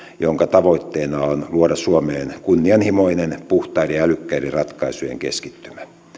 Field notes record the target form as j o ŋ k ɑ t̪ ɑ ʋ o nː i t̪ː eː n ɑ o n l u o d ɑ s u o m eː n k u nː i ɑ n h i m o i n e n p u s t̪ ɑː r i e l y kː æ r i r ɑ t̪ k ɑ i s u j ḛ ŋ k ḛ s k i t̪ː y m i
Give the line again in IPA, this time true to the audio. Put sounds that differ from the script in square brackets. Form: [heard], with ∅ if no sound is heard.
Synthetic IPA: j o ŋ k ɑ t̪ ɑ ʋ o [∅] i t̪ː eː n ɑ o n l u o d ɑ s u o m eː n k u nː i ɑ n h i m o i n e n p u [h] t̪ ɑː r i [æ] l y kː æ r i r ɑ t̪ k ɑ i s u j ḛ ŋ k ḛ s k i t̪ː y m [æ]

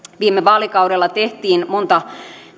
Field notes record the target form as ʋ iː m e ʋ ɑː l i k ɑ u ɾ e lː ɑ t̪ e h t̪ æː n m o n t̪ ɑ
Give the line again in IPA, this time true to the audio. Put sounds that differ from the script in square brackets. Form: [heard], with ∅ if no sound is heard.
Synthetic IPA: ʋ iː m e ʋ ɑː l i k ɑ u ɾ e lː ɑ t̪ e h t̪ [iː] n m o n t̪ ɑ

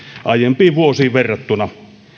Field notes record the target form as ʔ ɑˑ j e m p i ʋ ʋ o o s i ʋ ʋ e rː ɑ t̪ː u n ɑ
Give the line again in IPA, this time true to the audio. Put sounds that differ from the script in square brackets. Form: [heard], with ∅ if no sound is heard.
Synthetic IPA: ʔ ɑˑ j e m p [iː] ʋ ʋ [u] o s [iː] ʋ ʋ e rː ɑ t̪ː u n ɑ

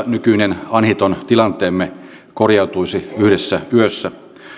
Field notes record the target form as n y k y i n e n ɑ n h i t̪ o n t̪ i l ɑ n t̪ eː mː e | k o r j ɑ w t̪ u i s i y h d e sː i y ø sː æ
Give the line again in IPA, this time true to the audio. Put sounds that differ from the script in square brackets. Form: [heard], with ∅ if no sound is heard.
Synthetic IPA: n y k y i n e n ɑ n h i t̪ o n t̪ i l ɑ n t̪ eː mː e | k o r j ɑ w t̪ u i s i y h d e sː [æ] y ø sː æ

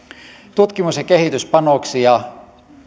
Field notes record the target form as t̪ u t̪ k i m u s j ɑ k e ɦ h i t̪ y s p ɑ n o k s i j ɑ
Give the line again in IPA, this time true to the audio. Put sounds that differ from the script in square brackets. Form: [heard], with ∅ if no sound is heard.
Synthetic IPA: t̪ u t̪ k i m u s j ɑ k e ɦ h i t̪ y s p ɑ n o k s i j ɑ

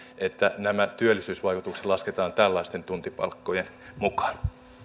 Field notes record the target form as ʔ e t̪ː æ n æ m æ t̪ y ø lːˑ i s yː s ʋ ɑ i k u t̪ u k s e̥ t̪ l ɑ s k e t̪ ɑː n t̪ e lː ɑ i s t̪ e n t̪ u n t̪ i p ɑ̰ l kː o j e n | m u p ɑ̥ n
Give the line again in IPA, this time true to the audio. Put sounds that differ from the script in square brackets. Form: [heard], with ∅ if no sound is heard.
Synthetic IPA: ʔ e t̪ː æ n æ m æ t̪ y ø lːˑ i s yː s ʋ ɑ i k u t̪ u k s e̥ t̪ l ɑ s k e t̪ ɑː n t̪ [æ] lː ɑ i s t̪ e n t̪ u n t̪ i p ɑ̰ l kː o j e n | m u [k] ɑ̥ n

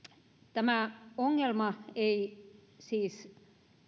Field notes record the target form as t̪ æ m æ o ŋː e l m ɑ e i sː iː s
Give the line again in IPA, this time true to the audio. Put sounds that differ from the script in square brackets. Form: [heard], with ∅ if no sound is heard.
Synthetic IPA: t̪ æ m æ o ŋː e l m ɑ e i [s] iː s

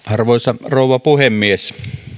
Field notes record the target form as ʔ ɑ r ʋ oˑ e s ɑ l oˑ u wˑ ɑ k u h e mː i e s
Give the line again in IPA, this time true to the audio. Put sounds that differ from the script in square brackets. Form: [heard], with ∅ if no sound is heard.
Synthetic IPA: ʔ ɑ r ʋ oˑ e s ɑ [r] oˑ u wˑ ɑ [p] u h e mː i e s

